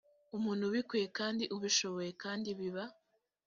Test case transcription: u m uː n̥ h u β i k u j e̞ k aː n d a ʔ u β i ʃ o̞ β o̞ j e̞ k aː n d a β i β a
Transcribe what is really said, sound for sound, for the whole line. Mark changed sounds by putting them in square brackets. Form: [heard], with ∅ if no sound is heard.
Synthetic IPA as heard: u m uː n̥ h u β i k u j e̞ k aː n d [i] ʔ u β i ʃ o̞ β o̞ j e̞ k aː n d [i] β i β a